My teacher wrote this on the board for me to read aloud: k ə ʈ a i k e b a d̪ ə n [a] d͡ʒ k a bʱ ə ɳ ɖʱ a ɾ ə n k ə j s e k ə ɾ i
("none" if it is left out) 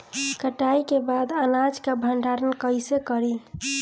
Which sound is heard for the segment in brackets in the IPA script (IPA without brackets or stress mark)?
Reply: a